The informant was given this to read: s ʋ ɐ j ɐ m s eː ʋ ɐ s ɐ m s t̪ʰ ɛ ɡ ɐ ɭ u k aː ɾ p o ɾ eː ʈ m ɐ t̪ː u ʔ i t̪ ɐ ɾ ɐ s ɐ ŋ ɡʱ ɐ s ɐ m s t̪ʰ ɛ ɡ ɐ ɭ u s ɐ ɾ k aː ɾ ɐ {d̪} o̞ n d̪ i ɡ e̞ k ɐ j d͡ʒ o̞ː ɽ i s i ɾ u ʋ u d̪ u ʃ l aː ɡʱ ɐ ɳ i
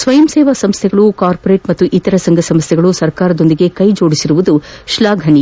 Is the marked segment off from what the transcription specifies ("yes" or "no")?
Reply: no